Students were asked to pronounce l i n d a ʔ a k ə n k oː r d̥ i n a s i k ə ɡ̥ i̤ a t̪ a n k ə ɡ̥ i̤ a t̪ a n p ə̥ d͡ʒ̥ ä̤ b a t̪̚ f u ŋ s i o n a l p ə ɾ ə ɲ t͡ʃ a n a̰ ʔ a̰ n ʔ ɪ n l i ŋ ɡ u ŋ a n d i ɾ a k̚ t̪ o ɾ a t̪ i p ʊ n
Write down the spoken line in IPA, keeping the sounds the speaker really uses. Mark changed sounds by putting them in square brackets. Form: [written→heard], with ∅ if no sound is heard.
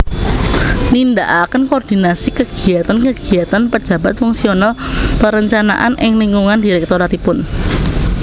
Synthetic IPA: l i n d a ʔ a k ə n k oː r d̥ i n a s i k ə ɡ̥ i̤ a t̪ a n k ə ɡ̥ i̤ a t̪ a n p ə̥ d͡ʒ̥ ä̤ b a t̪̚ f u ŋ s i o n a l p ə ɾ ə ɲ t͡ʃ a n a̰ ʔ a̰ n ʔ ɪ [n→ŋ] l i ŋ ɡ u ŋ a n d i ɾ [a→ɛ] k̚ t̪ o ɾ a t̪ i p ʊ n